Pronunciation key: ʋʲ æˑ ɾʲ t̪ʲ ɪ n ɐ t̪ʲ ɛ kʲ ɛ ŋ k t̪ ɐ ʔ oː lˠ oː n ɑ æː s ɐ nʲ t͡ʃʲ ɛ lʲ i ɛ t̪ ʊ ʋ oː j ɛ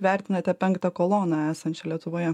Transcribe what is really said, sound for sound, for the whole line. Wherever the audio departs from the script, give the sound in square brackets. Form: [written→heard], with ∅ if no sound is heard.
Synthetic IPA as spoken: ʋʲ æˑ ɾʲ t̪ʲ ɪ n ɐ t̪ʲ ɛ [kʲ→pʲ] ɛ ŋ k t̪ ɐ [ʔ→k] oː lˠ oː n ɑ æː s ɐ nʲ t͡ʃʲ ɛ lʲ i ɛ t̪ ʊ ʋ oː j ɛ